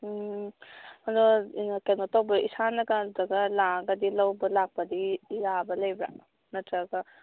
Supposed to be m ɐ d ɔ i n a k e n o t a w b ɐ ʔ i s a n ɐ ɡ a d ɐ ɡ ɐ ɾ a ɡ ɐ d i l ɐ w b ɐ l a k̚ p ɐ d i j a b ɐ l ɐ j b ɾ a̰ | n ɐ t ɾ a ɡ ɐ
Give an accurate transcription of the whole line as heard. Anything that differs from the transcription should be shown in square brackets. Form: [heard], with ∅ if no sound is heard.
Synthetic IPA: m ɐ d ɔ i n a k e n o t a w b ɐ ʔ i s a n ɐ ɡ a d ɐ ɡ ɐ [l] a ɡ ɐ d i l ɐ w b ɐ l a k̚ p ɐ d i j a b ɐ l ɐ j b ɾ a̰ | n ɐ t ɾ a ɡ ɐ